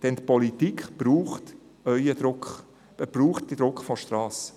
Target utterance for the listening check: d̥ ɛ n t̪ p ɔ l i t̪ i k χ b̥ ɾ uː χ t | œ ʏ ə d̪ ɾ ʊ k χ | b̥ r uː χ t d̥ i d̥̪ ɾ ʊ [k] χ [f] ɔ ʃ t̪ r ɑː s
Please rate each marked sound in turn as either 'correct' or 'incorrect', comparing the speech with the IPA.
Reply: correct, correct

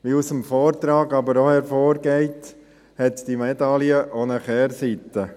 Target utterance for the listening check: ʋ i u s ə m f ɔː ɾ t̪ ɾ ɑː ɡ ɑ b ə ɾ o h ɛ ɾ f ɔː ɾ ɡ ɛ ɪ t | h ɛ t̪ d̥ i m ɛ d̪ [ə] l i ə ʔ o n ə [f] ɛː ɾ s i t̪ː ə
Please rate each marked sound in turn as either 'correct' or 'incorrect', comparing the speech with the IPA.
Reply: incorrect: ɑ, incorrect: χ

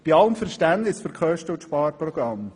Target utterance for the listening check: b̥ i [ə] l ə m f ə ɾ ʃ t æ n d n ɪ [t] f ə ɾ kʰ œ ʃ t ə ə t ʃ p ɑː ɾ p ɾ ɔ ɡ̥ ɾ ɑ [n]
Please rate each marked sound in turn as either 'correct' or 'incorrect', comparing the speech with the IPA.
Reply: incorrect: ɑ, incorrect: s, incorrect: m

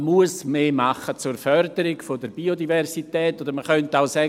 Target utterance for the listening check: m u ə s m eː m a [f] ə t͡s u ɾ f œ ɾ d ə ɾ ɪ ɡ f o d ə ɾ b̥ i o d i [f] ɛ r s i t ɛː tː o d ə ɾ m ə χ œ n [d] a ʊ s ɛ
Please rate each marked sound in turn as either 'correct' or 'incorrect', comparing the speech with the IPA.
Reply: incorrect: χ, incorrect: v, incorrect: t

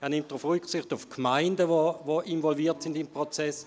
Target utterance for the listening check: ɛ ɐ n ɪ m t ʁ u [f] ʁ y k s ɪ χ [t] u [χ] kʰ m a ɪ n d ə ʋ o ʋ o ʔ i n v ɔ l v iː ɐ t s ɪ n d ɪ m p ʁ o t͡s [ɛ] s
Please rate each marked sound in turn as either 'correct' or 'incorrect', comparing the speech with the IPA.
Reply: correct, correct, incorrect: f, correct

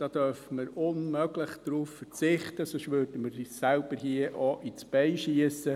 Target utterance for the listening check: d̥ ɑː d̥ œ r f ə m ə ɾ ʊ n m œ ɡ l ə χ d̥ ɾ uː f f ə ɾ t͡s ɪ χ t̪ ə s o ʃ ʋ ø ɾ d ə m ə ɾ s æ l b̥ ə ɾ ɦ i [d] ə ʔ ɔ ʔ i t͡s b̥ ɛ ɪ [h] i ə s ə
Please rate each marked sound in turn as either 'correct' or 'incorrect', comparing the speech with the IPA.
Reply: incorrect: none, incorrect: ʃ

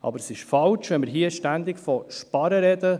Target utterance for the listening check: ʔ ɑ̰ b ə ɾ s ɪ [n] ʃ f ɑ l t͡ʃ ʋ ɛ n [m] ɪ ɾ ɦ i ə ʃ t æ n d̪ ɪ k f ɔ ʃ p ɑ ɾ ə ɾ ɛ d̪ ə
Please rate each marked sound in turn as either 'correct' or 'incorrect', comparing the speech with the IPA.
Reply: incorrect: none, correct

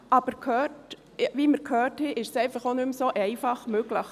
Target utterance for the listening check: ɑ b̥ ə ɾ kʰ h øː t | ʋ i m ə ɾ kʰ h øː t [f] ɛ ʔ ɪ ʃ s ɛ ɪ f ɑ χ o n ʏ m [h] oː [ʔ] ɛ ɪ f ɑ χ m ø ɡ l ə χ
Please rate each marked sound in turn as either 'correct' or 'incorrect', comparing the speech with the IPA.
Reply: incorrect: h, incorrect: s, correct

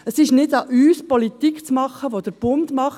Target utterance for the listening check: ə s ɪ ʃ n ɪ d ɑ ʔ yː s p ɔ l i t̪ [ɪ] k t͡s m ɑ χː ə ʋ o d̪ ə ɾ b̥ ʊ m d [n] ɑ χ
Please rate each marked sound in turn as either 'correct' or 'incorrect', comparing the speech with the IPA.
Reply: incorrect: i, incorrect: m

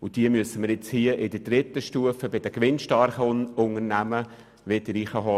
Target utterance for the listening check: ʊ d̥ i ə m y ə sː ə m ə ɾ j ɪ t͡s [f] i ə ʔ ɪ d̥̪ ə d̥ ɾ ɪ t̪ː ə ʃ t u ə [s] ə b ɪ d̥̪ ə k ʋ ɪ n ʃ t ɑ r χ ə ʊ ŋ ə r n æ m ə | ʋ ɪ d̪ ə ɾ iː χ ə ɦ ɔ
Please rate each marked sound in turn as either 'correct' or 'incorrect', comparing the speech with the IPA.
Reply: incorrect: h, incorrect: f

